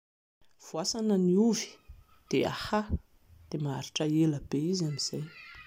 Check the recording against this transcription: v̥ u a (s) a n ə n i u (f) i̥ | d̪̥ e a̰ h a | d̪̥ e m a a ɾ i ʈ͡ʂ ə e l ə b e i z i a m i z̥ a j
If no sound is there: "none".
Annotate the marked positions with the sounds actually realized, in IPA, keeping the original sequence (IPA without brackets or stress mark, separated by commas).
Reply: s, v